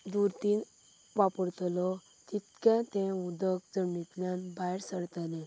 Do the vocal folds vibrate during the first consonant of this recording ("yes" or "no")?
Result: yes